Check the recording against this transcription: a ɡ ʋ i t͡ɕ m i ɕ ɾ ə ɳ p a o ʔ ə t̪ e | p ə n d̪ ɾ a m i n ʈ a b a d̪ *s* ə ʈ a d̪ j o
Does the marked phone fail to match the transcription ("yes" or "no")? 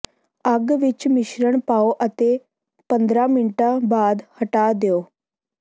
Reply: yes